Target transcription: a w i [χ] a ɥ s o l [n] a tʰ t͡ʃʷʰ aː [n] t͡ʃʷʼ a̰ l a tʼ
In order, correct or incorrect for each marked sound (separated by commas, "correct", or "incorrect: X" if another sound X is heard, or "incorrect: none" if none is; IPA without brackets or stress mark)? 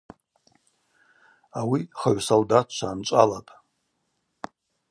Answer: correct, incorrect: d, correct